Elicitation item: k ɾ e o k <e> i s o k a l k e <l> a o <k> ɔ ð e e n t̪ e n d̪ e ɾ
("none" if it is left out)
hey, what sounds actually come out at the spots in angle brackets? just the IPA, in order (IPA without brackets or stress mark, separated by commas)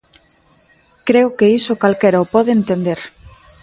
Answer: e, ɾ, p